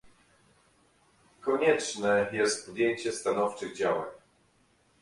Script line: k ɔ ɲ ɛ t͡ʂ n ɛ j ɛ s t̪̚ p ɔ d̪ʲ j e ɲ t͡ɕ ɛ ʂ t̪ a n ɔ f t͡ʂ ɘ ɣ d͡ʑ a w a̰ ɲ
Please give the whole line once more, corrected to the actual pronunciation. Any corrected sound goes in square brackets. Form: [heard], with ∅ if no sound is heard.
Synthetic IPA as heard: k ɔ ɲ ɛ t͡ʂ n ɛ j ɛ s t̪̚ p ɔ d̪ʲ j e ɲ t͡ɕ ɛ [s] t̪ a n ɔ f t͡ʂ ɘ ɣ d͡ʑ a w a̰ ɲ